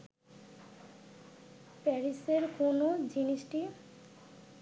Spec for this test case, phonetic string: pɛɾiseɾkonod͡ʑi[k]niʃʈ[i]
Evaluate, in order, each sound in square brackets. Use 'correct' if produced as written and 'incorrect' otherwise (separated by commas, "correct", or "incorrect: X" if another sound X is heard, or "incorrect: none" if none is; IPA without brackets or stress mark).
incorrect: none, correct